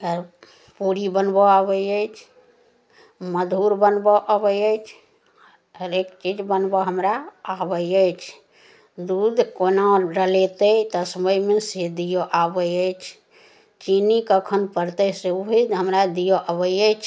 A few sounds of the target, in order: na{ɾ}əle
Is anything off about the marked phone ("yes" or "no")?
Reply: no